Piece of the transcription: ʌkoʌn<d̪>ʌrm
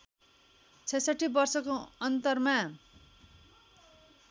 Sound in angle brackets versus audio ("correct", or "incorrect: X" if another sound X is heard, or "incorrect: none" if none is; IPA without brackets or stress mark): incorrect: t̪